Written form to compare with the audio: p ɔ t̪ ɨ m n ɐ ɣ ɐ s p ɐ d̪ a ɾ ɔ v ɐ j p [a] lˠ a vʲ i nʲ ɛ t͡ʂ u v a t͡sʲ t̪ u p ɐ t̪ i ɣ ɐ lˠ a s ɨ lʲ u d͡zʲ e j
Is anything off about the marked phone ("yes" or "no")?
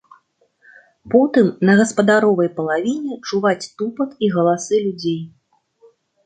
yes